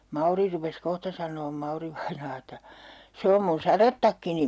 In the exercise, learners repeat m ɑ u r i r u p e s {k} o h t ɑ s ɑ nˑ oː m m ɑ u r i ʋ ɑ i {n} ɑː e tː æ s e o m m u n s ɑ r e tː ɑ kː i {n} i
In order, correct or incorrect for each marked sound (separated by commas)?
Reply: correct, correct, correct